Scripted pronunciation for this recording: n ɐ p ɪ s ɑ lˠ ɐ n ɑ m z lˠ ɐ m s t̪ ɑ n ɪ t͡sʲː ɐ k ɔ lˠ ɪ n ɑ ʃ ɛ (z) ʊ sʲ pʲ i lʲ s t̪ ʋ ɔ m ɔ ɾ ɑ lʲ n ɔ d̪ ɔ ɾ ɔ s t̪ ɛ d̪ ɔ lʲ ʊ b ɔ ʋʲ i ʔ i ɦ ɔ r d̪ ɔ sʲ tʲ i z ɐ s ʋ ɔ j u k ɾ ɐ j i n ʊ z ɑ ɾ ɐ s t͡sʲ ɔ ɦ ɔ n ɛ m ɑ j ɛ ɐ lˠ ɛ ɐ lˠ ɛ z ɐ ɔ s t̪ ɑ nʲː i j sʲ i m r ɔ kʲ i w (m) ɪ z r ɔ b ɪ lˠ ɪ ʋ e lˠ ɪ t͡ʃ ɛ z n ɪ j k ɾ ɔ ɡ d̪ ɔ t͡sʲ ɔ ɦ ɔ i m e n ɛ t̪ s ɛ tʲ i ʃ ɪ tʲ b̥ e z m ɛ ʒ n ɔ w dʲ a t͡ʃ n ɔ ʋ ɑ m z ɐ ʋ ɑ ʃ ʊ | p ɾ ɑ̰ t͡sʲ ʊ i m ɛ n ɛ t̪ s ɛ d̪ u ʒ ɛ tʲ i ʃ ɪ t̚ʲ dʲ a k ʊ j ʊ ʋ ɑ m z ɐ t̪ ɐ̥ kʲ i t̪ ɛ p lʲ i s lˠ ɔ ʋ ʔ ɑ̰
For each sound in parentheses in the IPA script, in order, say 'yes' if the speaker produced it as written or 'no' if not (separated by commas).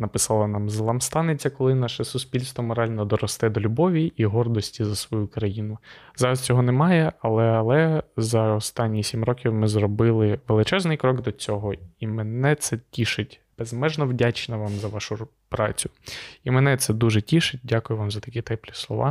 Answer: no, yes